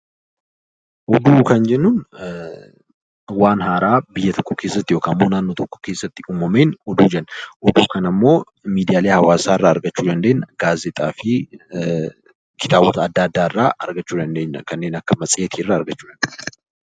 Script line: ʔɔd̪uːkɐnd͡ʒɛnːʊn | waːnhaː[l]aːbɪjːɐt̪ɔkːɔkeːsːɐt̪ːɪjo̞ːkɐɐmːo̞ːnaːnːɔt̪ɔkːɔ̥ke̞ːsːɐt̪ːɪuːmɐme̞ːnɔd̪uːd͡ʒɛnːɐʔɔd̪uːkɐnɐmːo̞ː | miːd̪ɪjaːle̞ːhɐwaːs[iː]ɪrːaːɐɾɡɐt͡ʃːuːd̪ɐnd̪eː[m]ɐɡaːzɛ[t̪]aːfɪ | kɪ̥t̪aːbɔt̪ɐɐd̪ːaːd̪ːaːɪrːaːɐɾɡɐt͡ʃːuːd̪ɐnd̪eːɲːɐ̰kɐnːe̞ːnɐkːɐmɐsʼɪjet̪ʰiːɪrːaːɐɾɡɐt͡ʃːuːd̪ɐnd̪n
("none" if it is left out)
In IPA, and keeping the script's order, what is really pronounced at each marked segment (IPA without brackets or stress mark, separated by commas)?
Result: ɾ, aː, n, t̪ʼ